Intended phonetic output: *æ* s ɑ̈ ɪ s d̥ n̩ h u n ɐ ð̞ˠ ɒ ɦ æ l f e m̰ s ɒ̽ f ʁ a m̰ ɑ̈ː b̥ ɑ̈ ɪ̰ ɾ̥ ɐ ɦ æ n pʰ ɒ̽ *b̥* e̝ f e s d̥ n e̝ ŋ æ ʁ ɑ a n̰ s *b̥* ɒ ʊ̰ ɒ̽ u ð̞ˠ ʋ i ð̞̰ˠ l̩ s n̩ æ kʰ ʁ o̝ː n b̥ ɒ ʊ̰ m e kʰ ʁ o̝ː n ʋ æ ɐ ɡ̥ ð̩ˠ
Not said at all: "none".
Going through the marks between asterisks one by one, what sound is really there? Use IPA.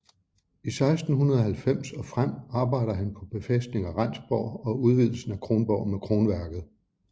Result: i, b̥, b̥

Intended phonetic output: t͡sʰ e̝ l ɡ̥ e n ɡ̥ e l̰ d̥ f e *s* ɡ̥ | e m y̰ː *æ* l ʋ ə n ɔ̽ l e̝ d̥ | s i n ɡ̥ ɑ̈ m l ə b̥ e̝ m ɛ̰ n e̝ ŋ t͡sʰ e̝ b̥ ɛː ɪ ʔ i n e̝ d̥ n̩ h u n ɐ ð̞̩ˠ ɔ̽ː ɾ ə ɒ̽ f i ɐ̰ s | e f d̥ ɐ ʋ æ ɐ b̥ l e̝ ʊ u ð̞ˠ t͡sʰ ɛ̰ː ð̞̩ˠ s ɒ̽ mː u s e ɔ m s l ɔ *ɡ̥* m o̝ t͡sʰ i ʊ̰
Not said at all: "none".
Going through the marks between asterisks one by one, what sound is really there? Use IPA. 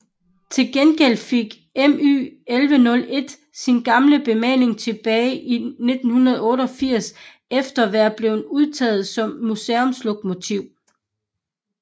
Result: none, e, ɡ̥

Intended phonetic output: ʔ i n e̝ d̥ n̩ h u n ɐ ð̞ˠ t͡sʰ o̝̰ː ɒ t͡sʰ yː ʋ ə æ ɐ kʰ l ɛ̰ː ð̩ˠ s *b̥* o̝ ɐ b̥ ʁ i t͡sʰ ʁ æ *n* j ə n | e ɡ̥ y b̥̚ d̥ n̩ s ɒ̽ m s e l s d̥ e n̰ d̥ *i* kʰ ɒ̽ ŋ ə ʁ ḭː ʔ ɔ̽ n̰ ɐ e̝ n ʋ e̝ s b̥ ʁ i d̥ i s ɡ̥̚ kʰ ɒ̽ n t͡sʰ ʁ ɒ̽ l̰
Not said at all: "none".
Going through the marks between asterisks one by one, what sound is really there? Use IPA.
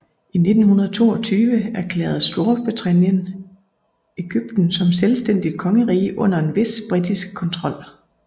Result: d̥, n, i

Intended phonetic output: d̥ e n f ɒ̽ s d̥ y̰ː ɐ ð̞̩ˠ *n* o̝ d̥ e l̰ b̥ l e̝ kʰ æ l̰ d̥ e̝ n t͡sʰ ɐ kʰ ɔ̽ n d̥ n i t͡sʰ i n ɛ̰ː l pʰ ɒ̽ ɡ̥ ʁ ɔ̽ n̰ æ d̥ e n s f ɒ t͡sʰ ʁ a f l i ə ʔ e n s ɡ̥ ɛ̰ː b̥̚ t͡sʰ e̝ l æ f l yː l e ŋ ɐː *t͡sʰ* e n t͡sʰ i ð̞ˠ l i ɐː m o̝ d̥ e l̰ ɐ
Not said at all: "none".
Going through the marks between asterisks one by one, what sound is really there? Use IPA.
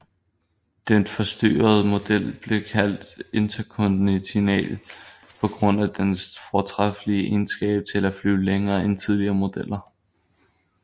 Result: m, none

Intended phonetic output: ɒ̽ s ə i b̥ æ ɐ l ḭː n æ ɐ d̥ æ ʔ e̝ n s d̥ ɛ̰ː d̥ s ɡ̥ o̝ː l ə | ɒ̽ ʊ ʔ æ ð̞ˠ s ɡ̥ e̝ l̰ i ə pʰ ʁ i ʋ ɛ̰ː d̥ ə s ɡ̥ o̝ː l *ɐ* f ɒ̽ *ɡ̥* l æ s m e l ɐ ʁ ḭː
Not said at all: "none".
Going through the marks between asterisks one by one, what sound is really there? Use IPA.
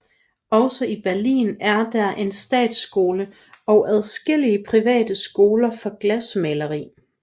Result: ɐ, ɡ̥

